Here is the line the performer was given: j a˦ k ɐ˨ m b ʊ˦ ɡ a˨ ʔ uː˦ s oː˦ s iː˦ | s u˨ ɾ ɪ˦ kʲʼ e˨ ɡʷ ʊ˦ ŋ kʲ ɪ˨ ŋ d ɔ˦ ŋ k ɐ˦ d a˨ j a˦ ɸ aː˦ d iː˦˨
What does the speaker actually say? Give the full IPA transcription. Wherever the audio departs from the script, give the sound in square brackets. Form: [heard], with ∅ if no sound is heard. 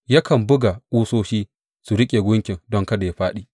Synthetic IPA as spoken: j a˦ k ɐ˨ m b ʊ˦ ɡ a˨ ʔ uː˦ s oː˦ [ʃ] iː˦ | s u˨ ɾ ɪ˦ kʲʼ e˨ ɡʷ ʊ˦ ŋ kʲ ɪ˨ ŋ d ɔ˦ ŋ k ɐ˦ d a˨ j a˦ ɸ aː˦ [ɗ] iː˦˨